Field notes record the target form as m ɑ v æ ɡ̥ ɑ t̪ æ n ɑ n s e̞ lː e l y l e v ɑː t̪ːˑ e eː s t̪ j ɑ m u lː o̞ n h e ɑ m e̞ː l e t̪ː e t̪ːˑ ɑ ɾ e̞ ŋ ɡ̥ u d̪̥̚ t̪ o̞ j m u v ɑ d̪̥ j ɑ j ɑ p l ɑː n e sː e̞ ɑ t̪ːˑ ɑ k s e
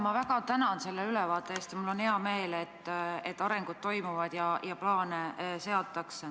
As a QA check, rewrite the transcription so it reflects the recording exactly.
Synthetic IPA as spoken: m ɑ v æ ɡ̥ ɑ t̪ æ n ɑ n s e̞ lː e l y l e v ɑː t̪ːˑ e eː s t̪ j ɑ m u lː o̞ n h e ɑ m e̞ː l e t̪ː e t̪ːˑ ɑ ɾ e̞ ŋ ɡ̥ u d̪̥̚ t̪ o̞ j m u v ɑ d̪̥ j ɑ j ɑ p l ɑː n e s e̞ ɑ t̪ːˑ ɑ k s e